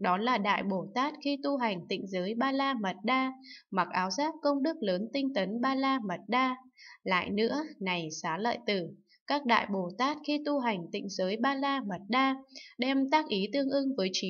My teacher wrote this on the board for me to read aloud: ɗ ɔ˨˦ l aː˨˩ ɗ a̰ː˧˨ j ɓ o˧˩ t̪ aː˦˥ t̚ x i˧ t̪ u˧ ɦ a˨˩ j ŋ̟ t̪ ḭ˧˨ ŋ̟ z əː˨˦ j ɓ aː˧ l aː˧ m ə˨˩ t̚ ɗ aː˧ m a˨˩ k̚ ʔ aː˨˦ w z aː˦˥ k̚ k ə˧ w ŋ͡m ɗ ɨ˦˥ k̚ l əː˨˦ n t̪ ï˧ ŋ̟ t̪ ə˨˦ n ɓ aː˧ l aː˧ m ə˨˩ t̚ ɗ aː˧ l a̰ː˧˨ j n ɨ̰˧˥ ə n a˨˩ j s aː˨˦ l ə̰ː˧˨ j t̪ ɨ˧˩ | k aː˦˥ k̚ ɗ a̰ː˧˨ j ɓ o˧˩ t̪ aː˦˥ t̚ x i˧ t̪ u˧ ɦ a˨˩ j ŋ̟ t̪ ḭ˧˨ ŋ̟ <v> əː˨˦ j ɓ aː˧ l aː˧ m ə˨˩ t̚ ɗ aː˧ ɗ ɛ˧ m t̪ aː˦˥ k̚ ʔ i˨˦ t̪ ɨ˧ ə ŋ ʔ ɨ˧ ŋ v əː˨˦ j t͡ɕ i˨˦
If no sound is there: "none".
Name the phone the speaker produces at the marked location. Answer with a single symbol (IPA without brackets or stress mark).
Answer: z